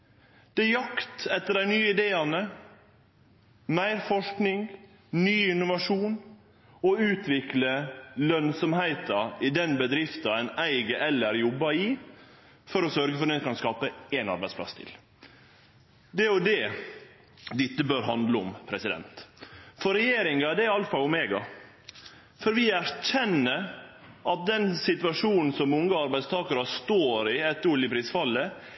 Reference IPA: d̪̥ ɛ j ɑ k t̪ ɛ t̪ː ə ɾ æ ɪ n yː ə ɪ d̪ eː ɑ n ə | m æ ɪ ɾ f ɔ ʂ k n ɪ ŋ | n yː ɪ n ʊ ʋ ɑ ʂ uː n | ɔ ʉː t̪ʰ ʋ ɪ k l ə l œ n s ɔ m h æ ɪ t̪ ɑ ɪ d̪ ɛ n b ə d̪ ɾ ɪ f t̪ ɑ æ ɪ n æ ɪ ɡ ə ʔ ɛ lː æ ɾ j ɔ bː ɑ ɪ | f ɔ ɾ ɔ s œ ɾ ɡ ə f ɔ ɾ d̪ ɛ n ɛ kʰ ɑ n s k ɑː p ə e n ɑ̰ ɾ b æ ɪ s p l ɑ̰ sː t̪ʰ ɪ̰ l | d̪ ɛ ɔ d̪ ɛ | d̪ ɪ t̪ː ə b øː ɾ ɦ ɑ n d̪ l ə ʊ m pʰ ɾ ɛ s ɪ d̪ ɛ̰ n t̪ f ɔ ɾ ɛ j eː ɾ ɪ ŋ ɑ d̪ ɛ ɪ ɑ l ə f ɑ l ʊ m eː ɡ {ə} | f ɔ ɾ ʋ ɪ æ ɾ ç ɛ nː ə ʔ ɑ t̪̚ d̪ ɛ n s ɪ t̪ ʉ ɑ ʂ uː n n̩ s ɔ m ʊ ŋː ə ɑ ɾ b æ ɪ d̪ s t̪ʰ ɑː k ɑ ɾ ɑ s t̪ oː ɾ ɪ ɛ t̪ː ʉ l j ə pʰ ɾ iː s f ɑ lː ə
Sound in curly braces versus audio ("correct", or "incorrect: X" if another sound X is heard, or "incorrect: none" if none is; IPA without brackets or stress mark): incorrect: ɑ